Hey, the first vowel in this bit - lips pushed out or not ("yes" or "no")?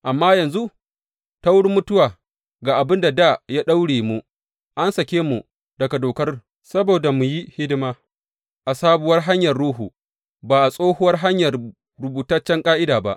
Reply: no